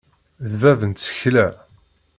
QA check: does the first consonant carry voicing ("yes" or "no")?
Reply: yes